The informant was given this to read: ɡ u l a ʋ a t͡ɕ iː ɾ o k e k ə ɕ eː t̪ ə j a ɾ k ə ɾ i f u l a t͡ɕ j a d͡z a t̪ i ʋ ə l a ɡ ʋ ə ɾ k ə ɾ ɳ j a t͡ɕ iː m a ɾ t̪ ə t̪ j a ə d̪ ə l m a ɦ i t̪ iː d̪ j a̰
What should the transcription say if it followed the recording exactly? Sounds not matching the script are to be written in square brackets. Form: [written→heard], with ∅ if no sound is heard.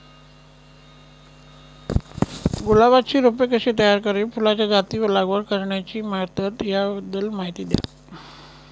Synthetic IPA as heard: ɡ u l a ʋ a t͡ɕ iː ɾ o [k→p] e k ə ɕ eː t̪ ə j a ɾ k ə ɾ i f u l a t͡ɕ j a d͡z a t̪ i ʋ ə l a ɡ ʋ ə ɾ k ə ɾ ɳ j a t͡ɕ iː m a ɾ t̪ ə t̪ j a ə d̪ ə l m a ɦ i t̪ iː d̪ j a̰